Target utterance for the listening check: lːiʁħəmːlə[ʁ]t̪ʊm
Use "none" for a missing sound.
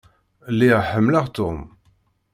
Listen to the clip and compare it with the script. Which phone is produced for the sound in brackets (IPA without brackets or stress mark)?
ʁ